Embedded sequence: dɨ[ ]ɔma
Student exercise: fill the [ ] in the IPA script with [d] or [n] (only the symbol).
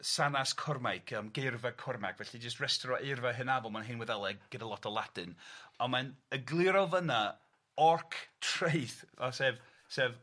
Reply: n